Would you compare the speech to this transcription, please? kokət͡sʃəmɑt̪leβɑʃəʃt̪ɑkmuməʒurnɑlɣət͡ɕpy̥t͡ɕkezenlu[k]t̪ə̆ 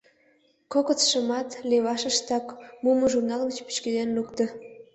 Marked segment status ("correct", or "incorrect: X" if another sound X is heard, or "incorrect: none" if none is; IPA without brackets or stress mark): correct